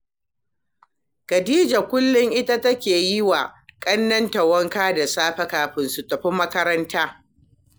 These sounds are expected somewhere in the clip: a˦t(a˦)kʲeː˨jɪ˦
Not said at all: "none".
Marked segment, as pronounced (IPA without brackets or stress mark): ɐ˦